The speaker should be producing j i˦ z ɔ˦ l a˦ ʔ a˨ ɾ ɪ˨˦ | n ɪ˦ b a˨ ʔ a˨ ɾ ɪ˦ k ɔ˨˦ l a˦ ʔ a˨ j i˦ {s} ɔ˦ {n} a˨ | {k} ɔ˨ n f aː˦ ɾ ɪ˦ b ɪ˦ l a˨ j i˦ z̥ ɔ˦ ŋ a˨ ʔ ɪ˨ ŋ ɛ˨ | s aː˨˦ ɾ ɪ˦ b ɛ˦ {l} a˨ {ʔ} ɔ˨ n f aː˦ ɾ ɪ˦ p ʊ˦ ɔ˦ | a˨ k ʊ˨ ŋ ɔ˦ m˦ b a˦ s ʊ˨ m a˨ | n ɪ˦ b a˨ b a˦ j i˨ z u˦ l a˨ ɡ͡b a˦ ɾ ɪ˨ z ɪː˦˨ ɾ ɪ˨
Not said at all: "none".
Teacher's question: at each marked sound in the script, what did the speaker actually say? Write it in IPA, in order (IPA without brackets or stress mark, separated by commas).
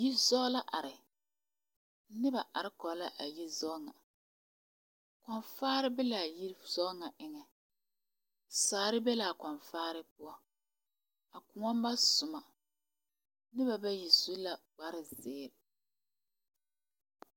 z, ŋ, k, l, k